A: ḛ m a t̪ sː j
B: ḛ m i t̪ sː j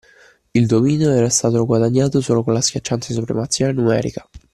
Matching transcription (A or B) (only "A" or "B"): A